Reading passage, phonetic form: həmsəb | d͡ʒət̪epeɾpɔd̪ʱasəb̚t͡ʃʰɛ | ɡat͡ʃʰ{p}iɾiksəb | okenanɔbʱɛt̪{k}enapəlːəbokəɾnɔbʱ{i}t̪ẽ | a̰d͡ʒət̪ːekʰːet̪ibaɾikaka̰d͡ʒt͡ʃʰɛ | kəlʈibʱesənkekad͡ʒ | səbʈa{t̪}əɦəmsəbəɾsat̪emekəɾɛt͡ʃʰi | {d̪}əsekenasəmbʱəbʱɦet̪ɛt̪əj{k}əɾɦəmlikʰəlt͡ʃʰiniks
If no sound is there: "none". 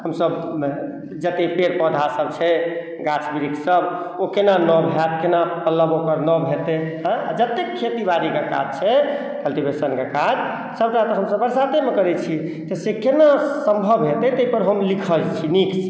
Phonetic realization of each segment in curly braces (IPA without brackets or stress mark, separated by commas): b, k, e, t̪, t̪, p